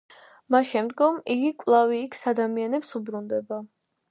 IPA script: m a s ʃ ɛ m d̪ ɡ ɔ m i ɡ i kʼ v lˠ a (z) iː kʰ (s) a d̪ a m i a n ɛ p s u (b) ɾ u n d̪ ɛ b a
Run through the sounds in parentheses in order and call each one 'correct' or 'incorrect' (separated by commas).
incorrect, correct, correct